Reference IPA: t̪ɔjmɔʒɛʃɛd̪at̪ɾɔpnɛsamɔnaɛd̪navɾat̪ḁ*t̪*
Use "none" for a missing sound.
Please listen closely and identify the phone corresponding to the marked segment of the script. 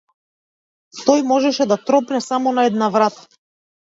none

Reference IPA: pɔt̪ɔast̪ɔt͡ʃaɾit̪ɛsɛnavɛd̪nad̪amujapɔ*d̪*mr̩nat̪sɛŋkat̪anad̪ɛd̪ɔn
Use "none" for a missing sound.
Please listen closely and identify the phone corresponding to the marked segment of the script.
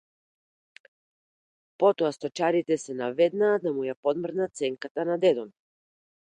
d̪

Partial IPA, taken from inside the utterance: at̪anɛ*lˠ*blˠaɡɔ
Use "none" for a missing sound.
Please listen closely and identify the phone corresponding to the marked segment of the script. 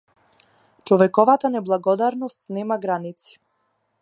none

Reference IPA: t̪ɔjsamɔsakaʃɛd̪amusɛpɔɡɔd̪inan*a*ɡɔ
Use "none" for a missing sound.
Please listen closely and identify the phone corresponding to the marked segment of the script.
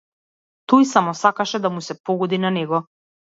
ɛ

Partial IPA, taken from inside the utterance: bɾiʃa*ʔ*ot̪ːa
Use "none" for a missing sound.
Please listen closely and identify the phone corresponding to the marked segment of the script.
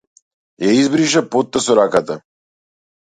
p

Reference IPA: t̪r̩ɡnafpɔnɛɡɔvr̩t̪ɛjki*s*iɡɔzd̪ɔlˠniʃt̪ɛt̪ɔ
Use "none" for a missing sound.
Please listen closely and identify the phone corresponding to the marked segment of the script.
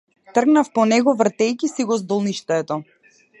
s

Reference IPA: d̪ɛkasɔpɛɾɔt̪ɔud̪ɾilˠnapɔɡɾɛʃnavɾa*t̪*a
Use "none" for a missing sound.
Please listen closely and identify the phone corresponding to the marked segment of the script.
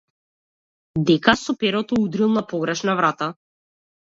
t̪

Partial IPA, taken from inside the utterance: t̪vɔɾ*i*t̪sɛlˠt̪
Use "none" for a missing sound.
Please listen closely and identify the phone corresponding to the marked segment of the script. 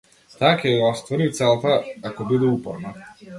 i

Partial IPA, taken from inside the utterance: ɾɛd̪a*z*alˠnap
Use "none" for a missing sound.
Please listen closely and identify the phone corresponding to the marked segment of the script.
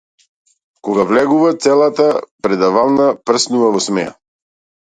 v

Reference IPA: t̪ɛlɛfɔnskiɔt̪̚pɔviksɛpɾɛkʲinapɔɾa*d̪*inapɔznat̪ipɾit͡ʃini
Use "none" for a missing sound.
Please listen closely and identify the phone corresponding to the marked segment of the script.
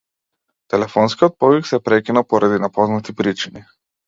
d̪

